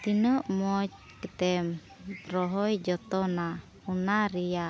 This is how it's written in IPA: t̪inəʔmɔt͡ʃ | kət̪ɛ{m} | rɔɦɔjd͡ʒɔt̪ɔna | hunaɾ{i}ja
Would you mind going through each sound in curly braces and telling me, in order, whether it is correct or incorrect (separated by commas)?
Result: correct, correct